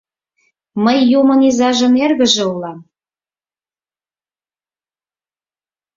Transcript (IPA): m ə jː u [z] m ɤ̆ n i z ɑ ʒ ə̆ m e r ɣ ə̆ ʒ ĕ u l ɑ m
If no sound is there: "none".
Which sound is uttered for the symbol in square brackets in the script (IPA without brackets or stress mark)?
none